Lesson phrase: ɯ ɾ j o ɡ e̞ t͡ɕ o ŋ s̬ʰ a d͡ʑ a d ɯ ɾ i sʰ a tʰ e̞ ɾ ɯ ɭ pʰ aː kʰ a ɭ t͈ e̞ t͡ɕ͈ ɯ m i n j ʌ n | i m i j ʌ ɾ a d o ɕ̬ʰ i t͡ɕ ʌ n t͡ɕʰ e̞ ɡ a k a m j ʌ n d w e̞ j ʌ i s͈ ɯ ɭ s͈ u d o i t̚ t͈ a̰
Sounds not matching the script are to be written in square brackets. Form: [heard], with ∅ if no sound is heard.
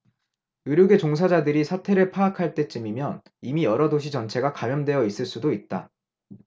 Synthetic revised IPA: ɯ ɾ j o ɡ e̞ t͡ɕ o ŋ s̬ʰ a d͡ʑ a d ɯ ɾ i sʰ a tʰ e̞ ɾ ɯ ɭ pʰ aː kʰ a ɭ t͈ e̞ t͡ɕ͈ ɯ m i [m] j ʌ n | i m i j ʌ ɾ [ʌ] d o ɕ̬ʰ i t͡ɕ ʌ n t͡ɕʰ e̞ ɡ a k a m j ʌ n d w e̞ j ʌ i s͈ ɯ ɭ s͈ u d o i t̚ t͈ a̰